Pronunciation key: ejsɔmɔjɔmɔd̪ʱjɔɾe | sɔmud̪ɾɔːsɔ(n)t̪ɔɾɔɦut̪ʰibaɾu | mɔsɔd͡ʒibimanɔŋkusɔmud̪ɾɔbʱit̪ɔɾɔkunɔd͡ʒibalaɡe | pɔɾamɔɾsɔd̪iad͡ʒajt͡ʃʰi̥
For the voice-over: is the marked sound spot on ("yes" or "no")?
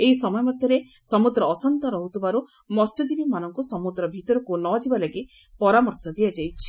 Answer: yes